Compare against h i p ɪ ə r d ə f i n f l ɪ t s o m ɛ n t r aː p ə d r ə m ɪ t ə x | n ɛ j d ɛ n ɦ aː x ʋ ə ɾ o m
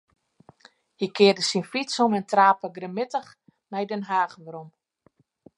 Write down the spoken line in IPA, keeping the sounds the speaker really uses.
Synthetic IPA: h i k ɪ ə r d ə s i n f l i t s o m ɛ n t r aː p ə ɡ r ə m ɪ t ə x | n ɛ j d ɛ n ɦ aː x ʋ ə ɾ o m